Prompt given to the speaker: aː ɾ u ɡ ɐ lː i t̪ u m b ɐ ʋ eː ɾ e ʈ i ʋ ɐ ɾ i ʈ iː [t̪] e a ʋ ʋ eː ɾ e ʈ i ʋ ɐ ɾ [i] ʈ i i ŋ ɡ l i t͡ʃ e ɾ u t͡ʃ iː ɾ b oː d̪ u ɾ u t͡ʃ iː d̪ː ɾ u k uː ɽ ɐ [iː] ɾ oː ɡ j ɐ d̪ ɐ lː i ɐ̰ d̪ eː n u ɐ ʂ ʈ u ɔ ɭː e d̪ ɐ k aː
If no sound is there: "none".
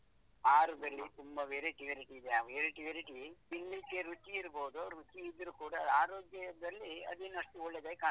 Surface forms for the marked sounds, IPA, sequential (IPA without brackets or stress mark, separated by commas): d̪, i, aː